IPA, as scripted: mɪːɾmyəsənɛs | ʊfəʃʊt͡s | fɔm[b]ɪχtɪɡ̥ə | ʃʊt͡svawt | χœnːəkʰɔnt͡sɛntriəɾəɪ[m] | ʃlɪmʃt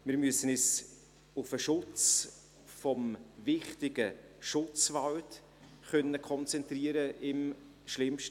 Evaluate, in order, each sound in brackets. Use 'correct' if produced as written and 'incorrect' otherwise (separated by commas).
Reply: incorrect, correct